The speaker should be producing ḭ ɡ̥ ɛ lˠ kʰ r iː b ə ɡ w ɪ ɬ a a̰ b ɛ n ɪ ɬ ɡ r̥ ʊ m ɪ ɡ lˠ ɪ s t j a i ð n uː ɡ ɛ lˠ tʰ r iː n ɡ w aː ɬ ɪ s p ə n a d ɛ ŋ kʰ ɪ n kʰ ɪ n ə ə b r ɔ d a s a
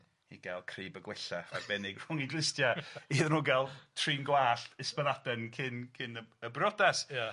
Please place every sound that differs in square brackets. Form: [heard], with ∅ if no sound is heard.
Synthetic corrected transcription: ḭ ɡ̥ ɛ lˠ kʰ r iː b ə ɡ w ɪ ɬ a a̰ b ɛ n ɪ [∅] ɡ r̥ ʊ [ŋ] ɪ ɡ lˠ ɪ s t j a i ð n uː ɡ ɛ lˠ tʰ r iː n ɡ w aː ɬ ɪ s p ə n a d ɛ [n] kʰ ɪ n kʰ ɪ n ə ə b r ɔ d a s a